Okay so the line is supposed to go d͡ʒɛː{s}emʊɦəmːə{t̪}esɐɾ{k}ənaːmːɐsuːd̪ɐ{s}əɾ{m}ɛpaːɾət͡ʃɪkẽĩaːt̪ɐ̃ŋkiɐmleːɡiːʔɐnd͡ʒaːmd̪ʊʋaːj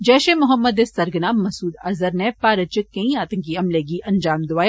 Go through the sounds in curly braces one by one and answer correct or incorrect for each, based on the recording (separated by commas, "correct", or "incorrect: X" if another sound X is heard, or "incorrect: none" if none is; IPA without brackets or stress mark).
incorrect: ʃ, incorrect: d̪, incorrect: ɡ, incorrect: z, incorrect: n